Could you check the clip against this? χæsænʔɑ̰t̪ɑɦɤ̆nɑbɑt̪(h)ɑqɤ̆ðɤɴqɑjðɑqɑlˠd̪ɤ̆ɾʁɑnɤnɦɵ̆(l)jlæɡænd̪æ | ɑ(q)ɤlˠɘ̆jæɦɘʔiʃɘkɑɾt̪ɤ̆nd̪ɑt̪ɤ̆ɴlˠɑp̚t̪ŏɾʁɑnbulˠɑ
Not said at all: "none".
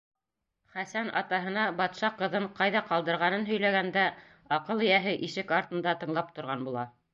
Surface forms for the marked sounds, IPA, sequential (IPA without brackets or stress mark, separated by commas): ʃ, none, q